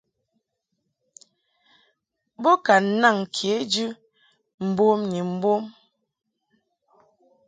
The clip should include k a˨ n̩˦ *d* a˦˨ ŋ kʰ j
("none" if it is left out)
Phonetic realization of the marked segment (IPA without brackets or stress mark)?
n